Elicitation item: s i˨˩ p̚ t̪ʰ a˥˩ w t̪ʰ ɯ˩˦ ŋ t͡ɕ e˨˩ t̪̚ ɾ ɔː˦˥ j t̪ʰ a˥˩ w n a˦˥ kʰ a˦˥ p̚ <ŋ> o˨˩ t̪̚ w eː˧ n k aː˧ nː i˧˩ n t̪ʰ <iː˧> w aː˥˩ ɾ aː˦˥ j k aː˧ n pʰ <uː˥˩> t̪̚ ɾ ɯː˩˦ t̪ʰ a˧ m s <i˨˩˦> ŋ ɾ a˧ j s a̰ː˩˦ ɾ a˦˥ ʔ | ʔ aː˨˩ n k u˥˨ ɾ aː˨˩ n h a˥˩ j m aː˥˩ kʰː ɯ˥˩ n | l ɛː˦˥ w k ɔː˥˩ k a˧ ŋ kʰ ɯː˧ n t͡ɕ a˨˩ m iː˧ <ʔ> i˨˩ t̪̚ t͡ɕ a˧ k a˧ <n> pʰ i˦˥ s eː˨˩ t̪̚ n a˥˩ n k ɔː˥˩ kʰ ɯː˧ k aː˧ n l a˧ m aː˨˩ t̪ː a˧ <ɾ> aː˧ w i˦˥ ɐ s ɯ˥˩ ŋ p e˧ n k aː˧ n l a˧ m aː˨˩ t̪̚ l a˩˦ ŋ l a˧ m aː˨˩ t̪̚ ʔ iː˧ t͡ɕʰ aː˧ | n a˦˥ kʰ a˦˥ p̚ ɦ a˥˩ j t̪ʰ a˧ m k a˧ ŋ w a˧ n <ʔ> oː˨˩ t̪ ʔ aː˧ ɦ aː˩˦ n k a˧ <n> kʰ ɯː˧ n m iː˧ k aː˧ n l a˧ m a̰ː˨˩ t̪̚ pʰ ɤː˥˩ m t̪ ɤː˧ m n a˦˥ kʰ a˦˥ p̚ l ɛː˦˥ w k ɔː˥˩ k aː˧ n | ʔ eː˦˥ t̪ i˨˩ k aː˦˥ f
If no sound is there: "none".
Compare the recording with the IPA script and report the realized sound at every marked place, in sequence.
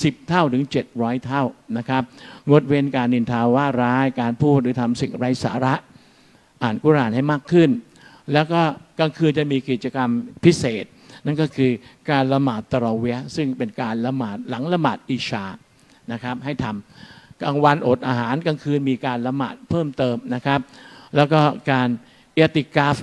ŋ, aː˧, uː˥˩, i˨˩, k, m, ɾ, ʔ, ŋ

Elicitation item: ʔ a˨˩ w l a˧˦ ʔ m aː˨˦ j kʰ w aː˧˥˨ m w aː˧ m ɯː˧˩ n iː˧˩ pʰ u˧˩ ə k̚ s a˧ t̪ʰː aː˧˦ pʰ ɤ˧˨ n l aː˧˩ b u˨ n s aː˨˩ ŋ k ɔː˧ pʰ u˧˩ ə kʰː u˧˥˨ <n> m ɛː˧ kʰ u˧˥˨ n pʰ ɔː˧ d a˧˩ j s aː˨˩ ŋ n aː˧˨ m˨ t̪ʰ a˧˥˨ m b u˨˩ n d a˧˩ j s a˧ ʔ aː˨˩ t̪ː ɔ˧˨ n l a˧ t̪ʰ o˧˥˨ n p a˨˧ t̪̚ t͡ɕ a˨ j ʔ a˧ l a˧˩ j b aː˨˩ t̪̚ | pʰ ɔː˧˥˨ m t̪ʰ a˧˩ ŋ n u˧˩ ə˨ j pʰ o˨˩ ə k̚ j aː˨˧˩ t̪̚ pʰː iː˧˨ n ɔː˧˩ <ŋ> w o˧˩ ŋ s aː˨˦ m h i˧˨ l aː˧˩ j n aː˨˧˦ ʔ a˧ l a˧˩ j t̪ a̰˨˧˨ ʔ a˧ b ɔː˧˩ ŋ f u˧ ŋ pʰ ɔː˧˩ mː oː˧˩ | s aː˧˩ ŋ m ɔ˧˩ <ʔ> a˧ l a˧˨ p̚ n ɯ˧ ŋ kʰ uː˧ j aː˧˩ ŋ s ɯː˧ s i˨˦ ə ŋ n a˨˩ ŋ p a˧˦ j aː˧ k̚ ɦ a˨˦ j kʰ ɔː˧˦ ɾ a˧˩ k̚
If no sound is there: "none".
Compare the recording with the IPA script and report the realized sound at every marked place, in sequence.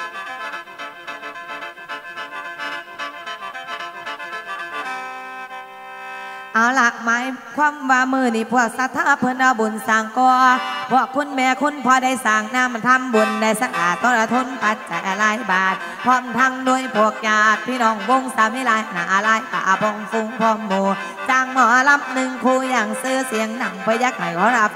n, ŋ, ʔ

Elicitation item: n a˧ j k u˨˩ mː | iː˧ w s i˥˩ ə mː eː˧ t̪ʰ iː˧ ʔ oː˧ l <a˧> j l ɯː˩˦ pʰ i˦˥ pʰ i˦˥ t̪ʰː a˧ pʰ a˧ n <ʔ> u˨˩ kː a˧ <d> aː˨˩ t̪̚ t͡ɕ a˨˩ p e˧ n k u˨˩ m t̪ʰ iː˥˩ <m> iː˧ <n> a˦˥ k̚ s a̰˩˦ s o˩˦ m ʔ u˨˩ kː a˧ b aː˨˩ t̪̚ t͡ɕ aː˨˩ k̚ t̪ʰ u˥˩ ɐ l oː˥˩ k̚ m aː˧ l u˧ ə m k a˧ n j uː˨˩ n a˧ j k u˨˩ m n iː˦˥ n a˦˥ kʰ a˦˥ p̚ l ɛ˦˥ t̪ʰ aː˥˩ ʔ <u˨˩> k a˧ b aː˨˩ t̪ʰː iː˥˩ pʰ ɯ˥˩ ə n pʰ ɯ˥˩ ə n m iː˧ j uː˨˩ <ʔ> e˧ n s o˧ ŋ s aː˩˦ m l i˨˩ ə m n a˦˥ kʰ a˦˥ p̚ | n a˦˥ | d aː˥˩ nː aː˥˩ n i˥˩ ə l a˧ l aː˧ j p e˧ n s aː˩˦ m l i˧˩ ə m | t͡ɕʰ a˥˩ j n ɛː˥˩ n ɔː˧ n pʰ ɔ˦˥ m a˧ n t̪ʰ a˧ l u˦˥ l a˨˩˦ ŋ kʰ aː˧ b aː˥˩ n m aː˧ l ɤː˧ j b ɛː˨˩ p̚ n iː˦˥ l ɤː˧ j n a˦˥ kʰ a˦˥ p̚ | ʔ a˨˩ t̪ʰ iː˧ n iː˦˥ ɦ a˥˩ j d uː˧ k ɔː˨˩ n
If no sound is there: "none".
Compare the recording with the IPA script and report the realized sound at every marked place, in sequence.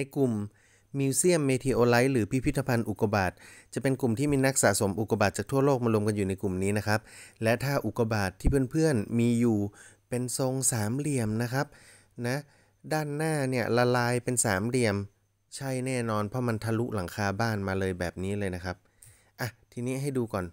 a˦˥, ʔ, b, m, n, u˨˩, p

